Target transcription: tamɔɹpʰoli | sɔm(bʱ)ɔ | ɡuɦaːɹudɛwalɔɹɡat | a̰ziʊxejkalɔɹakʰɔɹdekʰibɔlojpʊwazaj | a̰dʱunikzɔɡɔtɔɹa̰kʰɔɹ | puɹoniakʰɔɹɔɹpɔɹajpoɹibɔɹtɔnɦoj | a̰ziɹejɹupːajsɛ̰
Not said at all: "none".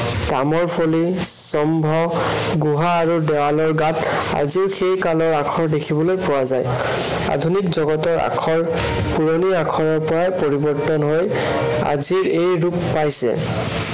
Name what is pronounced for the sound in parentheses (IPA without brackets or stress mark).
bʱ